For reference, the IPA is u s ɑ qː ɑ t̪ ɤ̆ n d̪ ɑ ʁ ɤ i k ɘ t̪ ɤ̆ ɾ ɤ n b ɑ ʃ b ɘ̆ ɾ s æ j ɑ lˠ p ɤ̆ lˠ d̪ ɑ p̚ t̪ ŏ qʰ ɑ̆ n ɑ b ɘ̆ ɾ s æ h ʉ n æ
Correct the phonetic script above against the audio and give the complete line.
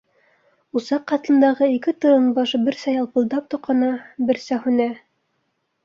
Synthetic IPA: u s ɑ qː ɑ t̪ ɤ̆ n d̪ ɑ ʁ ɤ i k ɘ t̪ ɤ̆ ɾ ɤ n b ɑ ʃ b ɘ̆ ɾ s æ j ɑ lˠ p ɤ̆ lˠ d̪ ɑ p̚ t̪ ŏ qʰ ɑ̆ n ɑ b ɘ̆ ɾ s æ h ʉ n æ